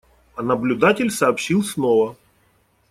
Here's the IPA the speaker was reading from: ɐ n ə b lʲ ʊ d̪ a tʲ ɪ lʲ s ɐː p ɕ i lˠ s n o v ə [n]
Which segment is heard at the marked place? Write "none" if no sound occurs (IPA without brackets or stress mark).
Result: none